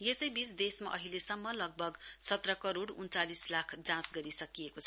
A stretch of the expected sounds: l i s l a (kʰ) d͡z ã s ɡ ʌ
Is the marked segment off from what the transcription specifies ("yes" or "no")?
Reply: no